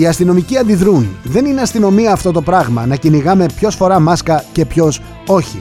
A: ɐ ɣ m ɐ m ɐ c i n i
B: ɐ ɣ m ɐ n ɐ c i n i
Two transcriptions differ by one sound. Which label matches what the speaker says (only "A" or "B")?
B